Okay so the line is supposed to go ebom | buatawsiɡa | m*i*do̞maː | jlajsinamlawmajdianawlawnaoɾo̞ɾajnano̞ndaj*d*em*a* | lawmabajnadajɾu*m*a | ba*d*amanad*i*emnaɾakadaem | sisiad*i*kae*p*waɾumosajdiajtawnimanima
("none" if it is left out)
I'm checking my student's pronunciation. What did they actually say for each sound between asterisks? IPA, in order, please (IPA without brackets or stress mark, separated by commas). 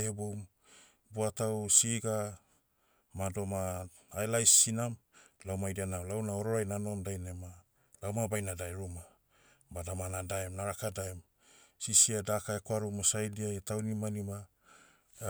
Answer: a, n, a, m, d, a, a, k